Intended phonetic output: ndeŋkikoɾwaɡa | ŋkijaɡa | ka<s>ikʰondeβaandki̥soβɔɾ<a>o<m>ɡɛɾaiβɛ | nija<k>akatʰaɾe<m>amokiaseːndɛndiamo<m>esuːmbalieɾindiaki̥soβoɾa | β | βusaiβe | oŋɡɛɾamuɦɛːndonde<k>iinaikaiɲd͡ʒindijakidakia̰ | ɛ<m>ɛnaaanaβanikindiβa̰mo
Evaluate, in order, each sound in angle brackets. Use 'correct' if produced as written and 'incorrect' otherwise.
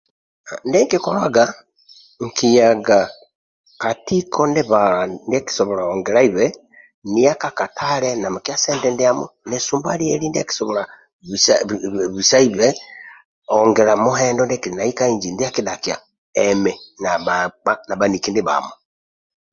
incorrect: t, correct, incorrect: ŋ, correct, incorrect: n, incorrect: n, correct, correct

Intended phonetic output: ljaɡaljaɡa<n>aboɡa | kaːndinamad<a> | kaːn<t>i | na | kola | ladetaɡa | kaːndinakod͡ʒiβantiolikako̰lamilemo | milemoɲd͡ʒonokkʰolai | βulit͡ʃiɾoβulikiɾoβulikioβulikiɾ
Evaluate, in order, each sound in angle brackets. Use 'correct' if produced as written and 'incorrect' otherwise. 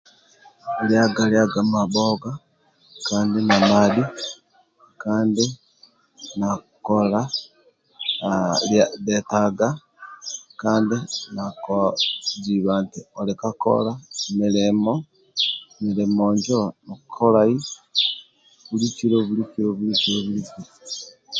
incorrect: m, incorrect: i, incorrect: d

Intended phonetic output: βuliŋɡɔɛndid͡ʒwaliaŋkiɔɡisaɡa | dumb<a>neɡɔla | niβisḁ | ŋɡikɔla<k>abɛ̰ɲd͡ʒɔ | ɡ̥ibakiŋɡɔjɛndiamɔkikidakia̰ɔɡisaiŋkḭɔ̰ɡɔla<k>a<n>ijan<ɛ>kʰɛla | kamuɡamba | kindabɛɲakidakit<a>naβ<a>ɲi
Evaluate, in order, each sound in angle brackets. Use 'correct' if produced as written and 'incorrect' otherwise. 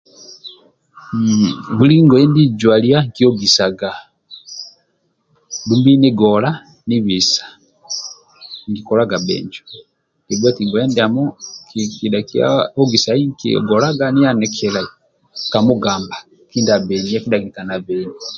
incorrect: i, incorrect: ɡ, incorrect: ɡ, correct, correct, correct, incorrect: ɛ

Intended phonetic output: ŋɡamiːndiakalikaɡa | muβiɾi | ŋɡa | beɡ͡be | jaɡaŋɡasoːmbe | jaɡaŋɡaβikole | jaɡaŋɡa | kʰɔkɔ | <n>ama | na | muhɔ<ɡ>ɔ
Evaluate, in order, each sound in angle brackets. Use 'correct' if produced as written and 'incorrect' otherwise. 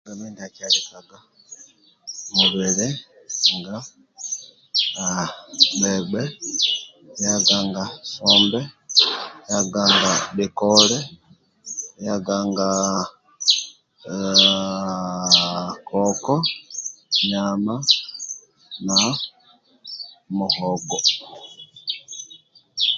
incorrect: ɲ, correct

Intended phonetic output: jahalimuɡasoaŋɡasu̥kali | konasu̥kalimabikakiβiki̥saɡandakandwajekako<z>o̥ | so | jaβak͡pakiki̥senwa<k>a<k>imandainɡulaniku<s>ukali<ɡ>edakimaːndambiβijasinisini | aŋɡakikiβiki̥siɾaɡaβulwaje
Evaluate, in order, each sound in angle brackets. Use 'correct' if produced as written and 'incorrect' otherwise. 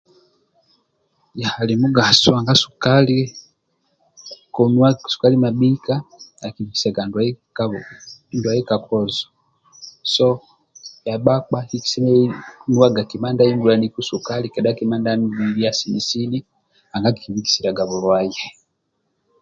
correct, incorrect: ɡ, correct, correct, incorrect: k

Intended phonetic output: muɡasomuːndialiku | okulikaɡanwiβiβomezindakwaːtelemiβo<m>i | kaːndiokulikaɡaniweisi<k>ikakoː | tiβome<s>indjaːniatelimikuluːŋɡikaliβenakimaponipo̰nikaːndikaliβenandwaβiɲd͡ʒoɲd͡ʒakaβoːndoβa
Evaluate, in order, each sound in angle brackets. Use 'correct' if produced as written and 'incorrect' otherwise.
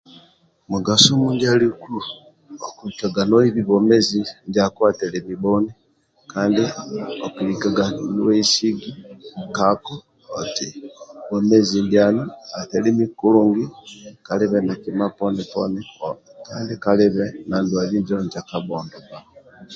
incorrect: n, incorrect: ɡ, incorrect: z

